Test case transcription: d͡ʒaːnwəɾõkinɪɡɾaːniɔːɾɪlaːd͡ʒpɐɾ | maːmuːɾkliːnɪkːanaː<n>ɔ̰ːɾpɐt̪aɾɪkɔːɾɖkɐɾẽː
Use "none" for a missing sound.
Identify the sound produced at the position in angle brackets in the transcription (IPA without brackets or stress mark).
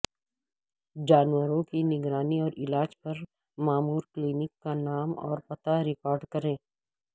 m